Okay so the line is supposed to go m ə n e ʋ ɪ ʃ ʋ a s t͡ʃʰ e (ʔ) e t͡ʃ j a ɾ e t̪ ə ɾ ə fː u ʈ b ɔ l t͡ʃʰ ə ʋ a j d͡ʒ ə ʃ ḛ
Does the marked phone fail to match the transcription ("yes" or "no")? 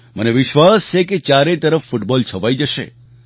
yes